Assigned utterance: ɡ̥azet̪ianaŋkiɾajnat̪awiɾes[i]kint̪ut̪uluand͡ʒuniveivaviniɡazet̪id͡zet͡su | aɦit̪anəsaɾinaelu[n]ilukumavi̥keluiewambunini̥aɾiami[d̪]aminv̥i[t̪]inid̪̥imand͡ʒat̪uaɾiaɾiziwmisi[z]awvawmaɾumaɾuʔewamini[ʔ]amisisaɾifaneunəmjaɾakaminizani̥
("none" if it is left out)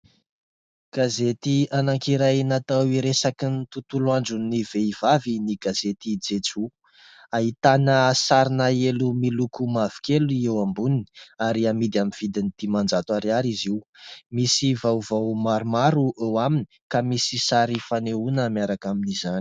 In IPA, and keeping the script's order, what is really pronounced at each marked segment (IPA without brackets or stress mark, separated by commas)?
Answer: a, m, d̪, d̪, v, k